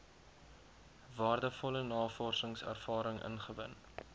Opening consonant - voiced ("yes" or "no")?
yes